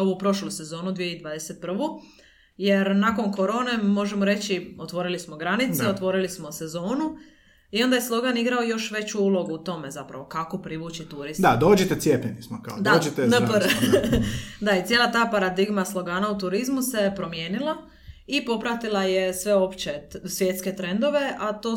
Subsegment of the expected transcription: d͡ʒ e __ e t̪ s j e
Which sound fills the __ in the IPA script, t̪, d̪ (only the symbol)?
t̪